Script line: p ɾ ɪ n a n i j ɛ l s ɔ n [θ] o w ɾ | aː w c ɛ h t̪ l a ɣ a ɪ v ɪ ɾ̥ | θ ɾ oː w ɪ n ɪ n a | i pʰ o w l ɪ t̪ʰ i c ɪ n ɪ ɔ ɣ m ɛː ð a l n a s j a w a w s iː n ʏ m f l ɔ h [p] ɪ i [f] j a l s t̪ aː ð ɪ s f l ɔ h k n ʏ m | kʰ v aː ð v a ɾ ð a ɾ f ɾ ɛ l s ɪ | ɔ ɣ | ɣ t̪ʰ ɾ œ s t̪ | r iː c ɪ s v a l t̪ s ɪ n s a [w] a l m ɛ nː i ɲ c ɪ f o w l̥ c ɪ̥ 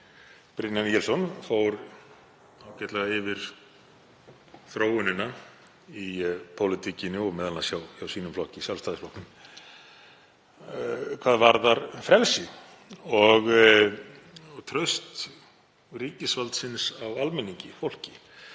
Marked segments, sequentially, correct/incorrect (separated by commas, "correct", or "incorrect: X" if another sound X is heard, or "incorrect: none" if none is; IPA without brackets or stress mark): incorrect: f, incorrect: c, incorrect: s, correct